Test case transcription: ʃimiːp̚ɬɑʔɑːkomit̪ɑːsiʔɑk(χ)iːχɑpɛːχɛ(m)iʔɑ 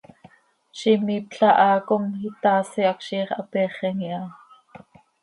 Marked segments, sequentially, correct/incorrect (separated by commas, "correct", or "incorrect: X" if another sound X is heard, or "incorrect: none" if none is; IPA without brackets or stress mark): incorrect: ʃ, incorrect: ŋ